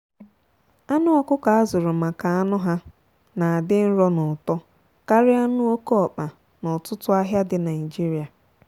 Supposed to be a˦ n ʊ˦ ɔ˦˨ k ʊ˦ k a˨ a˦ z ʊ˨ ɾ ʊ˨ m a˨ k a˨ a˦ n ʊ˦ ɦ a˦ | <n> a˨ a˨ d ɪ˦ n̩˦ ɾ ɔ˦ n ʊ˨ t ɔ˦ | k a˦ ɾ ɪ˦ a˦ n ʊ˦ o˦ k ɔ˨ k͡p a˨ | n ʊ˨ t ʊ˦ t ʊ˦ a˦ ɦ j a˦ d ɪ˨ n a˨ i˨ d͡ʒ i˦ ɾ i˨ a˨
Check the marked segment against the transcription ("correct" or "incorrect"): correct